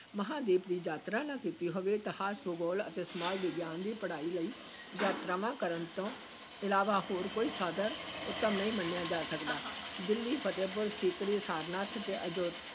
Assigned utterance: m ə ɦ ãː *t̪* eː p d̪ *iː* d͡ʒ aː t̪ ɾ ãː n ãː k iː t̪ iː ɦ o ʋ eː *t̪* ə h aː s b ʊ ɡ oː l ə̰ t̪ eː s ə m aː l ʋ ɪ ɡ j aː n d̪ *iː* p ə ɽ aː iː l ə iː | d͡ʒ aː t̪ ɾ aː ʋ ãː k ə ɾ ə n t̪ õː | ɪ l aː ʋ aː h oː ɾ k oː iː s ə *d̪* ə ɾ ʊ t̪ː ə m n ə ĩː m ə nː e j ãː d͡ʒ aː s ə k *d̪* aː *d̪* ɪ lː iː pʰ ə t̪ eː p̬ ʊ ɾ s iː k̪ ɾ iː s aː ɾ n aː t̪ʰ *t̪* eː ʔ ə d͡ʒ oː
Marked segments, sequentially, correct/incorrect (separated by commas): incorrect, correct, correct, correct, correct, correct, correct, correct